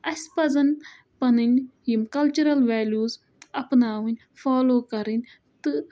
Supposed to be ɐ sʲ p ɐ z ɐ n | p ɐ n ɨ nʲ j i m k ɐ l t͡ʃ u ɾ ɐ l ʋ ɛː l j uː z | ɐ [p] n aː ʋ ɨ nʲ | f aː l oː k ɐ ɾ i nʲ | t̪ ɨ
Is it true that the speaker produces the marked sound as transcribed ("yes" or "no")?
yes